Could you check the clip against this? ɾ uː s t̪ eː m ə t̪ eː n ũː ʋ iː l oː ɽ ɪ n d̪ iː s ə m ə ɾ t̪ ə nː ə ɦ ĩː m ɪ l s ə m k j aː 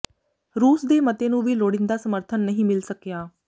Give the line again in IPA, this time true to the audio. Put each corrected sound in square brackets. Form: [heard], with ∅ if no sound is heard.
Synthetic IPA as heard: ɾ uː s [d̪] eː m ə t̪ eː n ũː ʋ iː l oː ɽ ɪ n d̪ [aː] s ə m ə ɾ [t̪ʰ] ə nː ə ɦ ĩː m ɪ l s ə [∅] k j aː

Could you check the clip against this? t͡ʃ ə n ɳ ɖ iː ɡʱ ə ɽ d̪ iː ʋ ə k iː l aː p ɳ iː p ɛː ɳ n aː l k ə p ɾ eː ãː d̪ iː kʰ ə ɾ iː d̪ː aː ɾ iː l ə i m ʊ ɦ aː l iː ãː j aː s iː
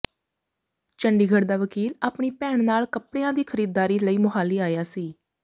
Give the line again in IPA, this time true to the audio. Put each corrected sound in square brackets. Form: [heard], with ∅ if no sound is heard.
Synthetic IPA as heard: t͡ʃ ə [∅] ɳ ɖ iː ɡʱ ə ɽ d̪ [aː] ʋ ə k iː l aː p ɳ iː p ɛː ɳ n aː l k ə p [ɽ] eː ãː d̪ iː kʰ ə ɾ iː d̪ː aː ɾ iː l ə [iː] m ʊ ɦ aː l iː [aː] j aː s iː

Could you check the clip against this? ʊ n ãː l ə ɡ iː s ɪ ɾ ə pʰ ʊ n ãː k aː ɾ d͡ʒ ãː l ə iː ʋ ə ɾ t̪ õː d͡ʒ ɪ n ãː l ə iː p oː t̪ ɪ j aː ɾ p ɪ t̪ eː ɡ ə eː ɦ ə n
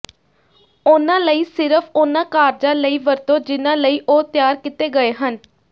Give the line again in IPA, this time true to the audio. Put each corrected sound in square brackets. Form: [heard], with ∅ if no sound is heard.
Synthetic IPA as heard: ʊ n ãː l ə [∅] iː s ɪ ɾ ə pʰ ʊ n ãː k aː ɾ d͡ʒ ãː l ə iː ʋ ə ɾ t̪ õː d͡ʒ ɪ n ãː l ə iː [ʔ] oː t̪ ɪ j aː ɾ [k] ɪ t̪ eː ɡ ə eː ɦ ə n

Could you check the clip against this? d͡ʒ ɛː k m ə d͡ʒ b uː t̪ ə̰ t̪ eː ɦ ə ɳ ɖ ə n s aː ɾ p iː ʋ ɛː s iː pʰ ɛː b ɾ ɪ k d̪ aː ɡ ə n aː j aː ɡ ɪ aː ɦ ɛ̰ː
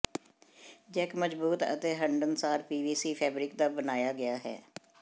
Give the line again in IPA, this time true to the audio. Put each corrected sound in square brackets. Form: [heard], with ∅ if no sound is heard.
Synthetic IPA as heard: d͡ʒ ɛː k m ə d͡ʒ b uː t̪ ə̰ t̪ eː ɦ ə ɳ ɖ ə n s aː ɾ p iː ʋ [iː] s iː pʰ ɛː b ɾ ɪ k d̪ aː [b] ə n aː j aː ɡ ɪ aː ɦ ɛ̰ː

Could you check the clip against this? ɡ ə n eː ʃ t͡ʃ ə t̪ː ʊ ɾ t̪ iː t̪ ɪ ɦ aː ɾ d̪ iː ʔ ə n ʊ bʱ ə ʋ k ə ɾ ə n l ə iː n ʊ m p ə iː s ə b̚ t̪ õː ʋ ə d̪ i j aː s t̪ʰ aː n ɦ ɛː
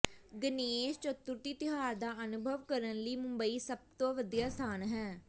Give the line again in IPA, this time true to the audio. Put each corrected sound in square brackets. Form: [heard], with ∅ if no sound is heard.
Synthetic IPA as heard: ɡ ə n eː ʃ t͡ʃ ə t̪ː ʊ ɾ t̪ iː t̪ ɪ ɦ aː ɾ d̪ [aː] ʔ ə n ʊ bʱ ə ʋ k ə ɾ ə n l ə iː [m] ʊ m [b] ə iː s ə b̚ t̪ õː ʋ ə d̪ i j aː s t̪ʰ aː n ɦ ɛː

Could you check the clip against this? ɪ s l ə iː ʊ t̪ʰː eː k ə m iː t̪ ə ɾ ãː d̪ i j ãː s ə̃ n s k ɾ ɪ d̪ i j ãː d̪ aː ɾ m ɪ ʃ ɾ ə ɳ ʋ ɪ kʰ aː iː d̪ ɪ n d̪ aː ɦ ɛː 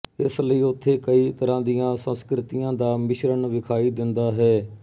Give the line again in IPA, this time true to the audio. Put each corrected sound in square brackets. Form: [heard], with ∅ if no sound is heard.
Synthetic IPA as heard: ɪ s l ə iː ʊ t̪ʰː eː k ə [∅] iː t̪ ə ɾ ãː d̪ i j ãː s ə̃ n s k ɾ ɪ [t̪] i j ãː d̪ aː [∅] m ɪ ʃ ɾ ə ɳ ʋ ɪ kʰ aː iː d̪ ɪ n d̪ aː ɦ ɛː

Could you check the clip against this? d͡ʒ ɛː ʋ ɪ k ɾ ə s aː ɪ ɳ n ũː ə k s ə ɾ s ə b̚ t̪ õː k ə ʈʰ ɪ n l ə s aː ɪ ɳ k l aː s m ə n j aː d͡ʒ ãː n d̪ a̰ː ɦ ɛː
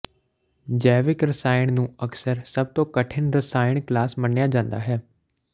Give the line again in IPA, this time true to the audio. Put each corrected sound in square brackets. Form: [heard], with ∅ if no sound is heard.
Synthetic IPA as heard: d͡ʒ ɛː ʋ ɪ k ɾ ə s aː ɪ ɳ n ũː ə k s ə ɾ s ə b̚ t̪ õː k ə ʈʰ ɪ n [ɾ] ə s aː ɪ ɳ k l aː s m ə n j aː d͡ʒ ãː n d̪ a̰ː ɦ ɛː

